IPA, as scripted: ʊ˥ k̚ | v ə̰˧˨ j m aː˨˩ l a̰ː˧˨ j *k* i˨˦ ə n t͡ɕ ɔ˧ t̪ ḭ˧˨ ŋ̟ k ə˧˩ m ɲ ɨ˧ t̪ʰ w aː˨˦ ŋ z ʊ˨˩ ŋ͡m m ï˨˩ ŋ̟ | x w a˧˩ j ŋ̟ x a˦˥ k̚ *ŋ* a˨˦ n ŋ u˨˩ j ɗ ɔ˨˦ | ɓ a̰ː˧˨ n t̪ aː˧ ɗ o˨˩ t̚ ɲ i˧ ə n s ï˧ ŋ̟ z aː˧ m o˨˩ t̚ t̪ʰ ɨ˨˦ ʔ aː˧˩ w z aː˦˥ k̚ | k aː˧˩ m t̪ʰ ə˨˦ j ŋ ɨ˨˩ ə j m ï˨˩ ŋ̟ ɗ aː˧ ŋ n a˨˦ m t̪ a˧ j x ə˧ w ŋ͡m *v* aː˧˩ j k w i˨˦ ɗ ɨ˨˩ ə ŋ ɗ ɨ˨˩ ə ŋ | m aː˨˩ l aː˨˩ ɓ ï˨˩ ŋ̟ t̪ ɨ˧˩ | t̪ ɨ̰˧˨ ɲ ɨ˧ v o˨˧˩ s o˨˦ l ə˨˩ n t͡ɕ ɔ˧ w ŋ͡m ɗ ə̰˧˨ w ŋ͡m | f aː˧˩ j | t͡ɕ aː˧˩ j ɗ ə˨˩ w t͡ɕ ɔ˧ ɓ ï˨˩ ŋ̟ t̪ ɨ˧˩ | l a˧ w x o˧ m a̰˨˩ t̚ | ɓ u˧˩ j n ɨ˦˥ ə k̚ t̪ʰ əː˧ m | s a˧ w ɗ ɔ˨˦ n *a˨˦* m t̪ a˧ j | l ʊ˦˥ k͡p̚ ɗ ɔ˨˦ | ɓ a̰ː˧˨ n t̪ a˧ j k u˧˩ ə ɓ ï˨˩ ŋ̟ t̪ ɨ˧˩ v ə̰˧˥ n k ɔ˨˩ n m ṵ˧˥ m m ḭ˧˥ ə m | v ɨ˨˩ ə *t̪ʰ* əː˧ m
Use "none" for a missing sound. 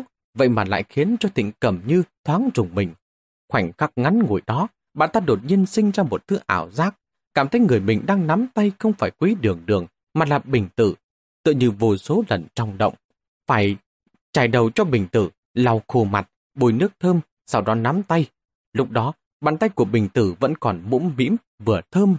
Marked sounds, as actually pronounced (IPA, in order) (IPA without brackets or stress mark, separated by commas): x, ŋ, f, a˨˦, t̪ʰ